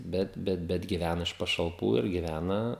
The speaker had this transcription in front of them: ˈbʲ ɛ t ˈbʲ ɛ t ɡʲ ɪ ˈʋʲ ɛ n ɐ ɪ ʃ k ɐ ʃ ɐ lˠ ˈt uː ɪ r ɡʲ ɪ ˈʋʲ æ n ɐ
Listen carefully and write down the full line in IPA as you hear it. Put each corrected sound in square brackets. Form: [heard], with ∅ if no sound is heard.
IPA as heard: ˈbʲ ɛ t ˈbʲ ɛ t ɡʲ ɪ ˈʋʲ [æ] n ɐ ɪ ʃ [p] ɐ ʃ ɐ lˠ [ˈp] uː ɪ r ɡʲ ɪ ˈʋʲ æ n ɐ